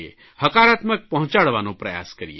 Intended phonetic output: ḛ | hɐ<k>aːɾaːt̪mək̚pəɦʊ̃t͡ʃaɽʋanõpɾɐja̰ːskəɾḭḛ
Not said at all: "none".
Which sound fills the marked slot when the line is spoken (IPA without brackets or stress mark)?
k